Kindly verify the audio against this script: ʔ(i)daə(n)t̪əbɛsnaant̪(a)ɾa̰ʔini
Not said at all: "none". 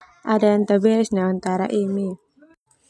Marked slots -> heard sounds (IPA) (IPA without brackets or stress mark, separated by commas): a, n, a